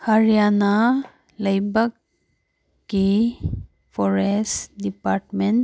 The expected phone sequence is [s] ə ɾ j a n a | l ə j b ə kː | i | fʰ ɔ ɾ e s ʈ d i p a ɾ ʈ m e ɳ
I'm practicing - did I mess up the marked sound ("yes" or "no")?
yes